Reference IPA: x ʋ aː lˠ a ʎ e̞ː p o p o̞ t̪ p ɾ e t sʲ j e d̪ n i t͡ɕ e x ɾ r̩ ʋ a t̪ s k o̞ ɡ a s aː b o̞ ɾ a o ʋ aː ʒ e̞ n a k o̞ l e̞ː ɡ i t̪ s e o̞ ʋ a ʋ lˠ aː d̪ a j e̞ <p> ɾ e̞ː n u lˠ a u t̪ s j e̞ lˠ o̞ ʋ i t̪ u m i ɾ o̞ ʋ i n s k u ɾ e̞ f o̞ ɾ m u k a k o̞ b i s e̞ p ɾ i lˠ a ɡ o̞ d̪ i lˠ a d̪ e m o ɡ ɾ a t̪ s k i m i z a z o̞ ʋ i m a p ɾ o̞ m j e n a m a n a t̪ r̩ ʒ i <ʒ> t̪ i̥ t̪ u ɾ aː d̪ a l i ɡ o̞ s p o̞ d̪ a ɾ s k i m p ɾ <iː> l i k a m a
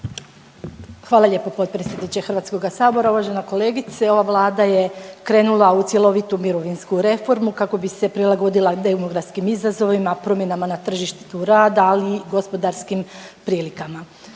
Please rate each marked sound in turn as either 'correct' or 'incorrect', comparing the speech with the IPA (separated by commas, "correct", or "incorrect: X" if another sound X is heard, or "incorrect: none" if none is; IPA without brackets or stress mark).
incorrect: k, incorrect: ʃ, correct